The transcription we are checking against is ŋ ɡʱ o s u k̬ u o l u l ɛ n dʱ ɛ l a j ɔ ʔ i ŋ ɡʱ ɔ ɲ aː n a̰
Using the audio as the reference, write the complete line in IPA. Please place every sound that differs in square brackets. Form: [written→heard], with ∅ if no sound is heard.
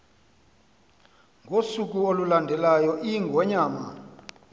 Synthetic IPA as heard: ŋ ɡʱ o s u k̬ u o l u l [ɛ→a] n dʱ ɛ l a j ɔ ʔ i ŋ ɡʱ ɔ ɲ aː [n→m] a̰